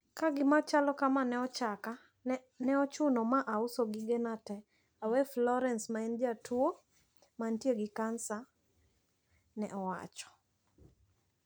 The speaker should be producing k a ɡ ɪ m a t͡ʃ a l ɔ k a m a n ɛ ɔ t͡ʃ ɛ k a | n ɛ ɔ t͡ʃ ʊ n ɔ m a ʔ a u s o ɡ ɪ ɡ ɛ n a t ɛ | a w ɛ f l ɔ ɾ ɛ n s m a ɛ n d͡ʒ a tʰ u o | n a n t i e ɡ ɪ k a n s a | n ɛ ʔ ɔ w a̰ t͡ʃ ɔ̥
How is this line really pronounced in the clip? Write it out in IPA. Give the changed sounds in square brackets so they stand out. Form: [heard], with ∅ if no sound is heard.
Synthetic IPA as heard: k a ɡ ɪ m a t͡ʃ a l ɔ k a m a n ɛ ɔ t͡ʃ [a] k a | n ɛ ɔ t͡ʃ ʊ n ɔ m a ʔ a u s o ɡ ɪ ɡ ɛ n a t ɛ | a w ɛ f l ɔ ɾ ɛ n s m a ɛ n d͡ʒ a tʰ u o | [m] a n t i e ɡ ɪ k a n s a | n ɛ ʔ ɔ w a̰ t͡ʃ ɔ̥